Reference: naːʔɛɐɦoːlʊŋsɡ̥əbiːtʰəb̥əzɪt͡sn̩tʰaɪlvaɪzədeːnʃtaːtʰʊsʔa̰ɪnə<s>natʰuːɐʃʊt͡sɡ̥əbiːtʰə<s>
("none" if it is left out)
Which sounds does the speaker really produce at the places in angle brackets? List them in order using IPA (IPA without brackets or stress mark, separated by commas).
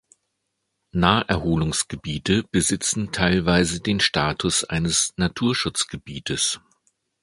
s, s